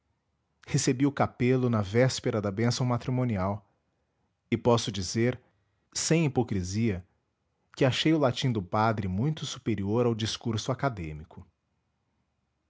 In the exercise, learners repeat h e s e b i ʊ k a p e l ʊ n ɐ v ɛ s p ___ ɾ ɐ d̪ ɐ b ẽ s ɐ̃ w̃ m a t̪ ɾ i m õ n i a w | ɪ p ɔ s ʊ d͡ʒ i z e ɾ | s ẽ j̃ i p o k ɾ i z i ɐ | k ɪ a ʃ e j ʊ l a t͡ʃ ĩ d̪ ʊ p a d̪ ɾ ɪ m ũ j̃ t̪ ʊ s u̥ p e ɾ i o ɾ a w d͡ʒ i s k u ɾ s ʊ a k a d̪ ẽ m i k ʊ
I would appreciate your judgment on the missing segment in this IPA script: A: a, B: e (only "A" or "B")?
B